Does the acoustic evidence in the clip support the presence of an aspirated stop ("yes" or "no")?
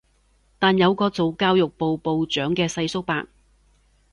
no